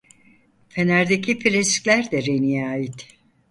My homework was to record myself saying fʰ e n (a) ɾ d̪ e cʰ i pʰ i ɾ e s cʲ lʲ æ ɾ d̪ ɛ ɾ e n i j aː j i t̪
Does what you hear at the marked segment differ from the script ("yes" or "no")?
yes